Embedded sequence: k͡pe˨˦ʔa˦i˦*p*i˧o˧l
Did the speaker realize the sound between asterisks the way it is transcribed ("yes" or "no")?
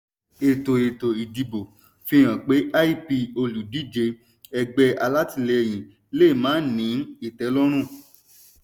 yes